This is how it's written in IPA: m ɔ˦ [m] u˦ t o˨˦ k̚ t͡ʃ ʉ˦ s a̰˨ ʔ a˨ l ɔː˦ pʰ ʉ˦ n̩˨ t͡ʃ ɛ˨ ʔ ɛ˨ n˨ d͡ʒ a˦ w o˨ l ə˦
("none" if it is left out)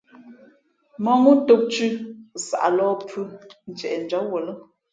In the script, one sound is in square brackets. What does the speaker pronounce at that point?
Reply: ŋ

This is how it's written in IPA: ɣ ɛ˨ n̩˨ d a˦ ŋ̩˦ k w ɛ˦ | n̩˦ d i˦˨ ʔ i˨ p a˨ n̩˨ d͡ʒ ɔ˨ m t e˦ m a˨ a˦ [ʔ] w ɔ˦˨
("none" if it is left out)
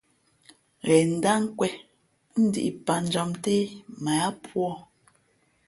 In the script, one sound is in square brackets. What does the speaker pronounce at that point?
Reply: p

